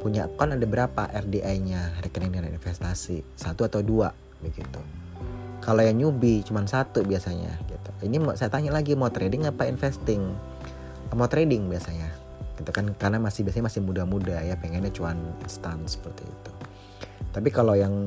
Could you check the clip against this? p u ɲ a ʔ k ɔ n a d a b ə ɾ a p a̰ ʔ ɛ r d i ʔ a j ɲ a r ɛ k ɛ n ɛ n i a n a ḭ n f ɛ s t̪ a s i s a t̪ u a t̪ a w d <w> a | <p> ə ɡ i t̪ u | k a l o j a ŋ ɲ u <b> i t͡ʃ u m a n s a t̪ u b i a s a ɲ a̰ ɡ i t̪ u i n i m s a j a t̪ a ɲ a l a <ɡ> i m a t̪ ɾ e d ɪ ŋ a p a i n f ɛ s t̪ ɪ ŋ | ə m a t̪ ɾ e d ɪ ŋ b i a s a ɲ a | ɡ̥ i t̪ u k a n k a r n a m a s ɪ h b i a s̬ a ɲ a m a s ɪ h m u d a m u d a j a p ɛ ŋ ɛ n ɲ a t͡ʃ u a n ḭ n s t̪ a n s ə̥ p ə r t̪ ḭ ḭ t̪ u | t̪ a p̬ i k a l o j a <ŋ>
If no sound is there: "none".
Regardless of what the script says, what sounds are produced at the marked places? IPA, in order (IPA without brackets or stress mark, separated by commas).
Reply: u, b, b, ɡ, ŋ